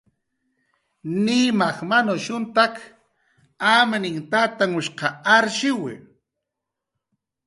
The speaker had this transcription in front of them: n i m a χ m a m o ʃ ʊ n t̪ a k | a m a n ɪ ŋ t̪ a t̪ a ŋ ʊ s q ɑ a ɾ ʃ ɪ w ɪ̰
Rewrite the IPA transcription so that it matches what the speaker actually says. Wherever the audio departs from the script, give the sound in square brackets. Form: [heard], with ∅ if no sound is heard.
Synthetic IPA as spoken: n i m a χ m a [n] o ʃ ʊ n t̪ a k | a m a n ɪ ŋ t̪ a t̪ a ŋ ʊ [ʃ] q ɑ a ɾ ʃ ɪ w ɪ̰